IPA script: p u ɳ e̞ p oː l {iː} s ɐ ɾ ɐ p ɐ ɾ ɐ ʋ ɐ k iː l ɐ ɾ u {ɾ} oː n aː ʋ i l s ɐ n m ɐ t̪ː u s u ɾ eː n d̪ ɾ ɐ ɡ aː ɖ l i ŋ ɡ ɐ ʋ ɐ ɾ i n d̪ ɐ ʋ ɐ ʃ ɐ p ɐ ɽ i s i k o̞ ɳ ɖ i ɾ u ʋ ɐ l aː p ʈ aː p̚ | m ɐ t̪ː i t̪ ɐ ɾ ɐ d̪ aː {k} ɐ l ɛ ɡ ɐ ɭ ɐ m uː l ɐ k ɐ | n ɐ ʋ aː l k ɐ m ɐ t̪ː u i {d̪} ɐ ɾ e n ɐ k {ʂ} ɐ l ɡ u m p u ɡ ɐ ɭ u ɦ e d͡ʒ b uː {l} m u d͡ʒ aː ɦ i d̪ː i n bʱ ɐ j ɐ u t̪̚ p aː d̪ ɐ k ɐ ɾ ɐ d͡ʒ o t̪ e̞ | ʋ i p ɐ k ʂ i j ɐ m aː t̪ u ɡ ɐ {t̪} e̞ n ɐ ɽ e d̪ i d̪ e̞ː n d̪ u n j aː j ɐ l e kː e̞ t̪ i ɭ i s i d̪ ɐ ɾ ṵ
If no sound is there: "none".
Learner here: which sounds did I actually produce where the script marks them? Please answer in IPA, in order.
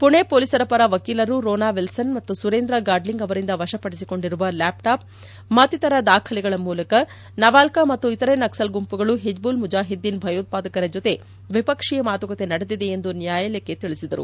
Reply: i, ɾ, kʰ, t̪, s, l, t̪

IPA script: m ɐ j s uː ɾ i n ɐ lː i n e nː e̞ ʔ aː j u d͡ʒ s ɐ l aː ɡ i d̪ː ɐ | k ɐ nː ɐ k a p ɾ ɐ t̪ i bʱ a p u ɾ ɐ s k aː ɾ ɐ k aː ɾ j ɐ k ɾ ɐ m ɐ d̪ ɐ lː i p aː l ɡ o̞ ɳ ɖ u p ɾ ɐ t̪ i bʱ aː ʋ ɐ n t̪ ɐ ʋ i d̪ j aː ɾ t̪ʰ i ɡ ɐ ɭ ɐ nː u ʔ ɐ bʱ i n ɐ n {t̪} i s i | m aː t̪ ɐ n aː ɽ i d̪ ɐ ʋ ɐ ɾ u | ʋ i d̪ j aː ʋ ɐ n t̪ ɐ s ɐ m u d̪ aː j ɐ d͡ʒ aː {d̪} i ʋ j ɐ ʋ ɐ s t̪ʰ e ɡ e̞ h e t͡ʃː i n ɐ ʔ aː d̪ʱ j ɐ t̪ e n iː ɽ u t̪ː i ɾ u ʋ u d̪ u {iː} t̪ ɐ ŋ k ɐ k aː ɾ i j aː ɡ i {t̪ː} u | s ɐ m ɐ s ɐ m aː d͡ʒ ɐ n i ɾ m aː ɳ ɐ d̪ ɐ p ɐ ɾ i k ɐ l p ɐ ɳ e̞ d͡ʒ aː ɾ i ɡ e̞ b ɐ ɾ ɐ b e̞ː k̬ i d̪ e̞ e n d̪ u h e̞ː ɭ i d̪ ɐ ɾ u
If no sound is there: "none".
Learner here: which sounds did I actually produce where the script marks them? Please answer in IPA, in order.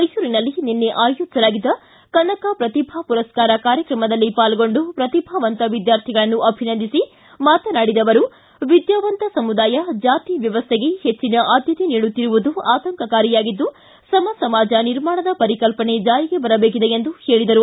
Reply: d̪, t̪, aː, d̪ː

